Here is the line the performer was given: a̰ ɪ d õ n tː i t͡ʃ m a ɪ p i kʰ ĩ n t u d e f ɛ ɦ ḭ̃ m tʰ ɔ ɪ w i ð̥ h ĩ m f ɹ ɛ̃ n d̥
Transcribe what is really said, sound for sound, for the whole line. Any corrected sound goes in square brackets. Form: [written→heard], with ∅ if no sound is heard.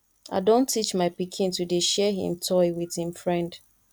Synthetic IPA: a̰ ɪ d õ n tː i t͡ʃ m a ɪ p i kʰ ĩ n t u d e [f→ʃ] ɛ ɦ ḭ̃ m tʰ ɔ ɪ w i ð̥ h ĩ m f ɹ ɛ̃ n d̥